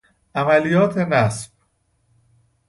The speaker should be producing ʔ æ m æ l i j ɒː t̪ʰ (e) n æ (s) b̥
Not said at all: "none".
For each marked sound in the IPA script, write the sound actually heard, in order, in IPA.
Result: e, s

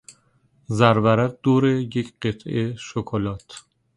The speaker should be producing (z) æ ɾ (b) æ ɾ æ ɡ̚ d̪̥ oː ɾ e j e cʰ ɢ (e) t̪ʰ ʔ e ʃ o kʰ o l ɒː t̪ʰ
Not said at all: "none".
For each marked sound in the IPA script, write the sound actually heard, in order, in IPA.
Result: z, v, e

